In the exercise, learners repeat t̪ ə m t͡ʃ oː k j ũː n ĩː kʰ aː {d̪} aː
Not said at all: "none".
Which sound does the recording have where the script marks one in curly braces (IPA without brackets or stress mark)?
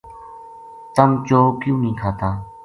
t̪